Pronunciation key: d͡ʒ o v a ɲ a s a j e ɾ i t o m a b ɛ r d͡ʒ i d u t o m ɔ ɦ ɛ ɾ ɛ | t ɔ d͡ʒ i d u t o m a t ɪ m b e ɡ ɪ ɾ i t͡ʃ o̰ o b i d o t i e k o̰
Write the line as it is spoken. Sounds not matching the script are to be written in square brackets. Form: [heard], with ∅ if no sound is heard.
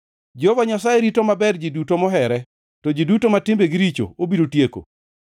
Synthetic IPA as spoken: d͡ʒ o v a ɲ a s a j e ɾ i t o m a b ɛ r d͡ʒ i d u t o m ɔ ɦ ɛ ɾ ɛ | t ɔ d͡ʒ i d u t o m a t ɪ m b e ɡ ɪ ɾ i t͡ʃ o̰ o b i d o t [j] e k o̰